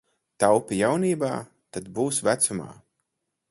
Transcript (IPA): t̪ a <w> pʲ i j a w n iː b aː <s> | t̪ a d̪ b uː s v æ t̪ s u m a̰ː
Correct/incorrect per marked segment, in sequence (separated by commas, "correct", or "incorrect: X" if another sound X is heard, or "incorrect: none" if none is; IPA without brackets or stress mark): correct, incorrect: none